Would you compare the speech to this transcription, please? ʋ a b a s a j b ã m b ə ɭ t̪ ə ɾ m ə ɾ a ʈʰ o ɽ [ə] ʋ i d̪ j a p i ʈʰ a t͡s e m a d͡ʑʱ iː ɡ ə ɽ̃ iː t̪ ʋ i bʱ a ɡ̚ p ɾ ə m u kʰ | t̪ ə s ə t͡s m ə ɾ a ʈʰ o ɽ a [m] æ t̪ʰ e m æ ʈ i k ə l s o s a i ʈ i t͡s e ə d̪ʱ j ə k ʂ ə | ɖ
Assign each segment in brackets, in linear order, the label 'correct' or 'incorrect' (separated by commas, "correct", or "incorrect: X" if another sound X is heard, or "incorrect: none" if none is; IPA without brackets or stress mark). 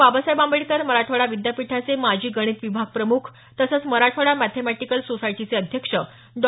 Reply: incorrect: a, correct